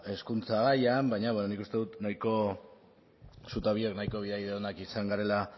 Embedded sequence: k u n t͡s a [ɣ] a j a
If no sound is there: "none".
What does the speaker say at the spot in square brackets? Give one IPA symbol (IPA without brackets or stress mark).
ɣ